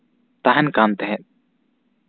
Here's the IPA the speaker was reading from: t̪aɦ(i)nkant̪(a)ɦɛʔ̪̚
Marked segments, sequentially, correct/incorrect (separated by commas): incorrect, incorrect